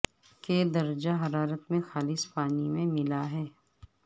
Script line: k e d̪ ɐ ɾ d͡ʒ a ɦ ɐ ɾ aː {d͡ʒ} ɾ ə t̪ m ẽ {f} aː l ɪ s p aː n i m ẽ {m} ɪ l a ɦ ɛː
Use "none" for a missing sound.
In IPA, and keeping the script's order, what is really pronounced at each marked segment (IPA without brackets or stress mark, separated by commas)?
none, x, m